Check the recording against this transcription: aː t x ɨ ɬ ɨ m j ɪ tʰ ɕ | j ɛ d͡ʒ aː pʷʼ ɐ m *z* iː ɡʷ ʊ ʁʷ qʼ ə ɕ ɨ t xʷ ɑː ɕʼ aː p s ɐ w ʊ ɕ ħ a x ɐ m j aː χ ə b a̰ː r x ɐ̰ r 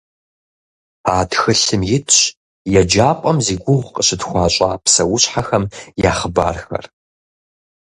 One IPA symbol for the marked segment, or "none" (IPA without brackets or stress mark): z